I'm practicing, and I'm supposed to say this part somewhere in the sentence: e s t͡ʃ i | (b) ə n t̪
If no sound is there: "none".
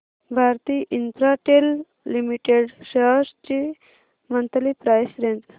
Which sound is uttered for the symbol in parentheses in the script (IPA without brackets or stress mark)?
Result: m